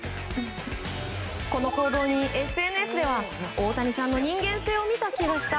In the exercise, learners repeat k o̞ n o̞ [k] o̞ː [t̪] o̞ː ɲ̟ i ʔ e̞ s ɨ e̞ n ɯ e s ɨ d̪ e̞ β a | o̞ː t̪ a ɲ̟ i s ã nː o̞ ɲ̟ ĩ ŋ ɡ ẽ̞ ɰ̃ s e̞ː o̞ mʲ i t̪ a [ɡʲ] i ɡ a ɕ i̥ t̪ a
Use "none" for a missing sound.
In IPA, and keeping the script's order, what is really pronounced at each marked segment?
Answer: k, d̪, kʲ

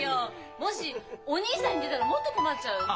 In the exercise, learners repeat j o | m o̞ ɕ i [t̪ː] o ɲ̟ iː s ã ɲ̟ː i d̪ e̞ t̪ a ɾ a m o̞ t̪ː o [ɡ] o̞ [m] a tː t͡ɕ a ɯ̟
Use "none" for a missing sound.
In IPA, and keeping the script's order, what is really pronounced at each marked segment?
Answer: none, k, m

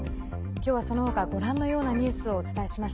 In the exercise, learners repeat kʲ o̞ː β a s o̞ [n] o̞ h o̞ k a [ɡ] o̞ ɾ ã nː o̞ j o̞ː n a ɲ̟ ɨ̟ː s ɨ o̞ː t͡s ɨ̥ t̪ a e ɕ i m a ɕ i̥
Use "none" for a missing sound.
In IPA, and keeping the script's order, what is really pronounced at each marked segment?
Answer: n, ɡ

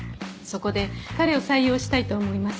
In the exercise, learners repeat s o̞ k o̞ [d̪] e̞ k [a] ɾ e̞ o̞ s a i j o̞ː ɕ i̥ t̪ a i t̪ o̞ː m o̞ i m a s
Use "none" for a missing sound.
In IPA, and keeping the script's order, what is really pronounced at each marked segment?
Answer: d̪, a

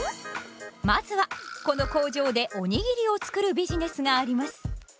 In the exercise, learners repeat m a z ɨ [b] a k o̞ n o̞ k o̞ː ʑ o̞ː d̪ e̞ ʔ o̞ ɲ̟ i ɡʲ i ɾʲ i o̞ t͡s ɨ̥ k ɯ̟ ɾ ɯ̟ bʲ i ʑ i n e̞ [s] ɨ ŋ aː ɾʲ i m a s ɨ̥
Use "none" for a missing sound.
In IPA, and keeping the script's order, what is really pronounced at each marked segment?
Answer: β, s

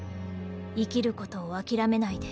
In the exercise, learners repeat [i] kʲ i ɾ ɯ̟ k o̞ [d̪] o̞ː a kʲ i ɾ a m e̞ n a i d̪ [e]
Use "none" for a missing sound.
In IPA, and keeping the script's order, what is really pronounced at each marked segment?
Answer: i, t̪, e

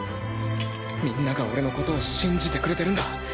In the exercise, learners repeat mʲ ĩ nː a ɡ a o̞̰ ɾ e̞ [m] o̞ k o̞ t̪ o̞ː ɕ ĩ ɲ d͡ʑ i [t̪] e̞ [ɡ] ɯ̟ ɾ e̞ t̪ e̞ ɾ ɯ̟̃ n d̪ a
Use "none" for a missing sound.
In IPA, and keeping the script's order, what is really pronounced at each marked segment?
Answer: n, t̪, k

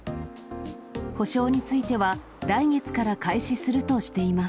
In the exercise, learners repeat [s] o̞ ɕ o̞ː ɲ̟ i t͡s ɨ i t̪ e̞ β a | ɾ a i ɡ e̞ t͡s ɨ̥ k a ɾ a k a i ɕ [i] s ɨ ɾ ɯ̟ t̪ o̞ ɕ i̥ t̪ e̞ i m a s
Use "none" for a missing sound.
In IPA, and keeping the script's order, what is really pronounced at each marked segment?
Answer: h, i

